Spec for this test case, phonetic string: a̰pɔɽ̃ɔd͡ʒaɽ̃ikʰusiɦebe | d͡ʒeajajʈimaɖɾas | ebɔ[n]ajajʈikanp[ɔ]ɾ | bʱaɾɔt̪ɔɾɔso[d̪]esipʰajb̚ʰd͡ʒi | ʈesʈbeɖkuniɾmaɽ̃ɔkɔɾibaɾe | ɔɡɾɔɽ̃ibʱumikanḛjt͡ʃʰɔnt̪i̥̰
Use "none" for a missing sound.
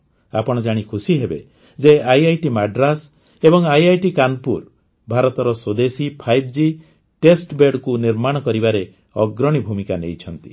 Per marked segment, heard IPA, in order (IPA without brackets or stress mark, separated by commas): ŋ, u, d̪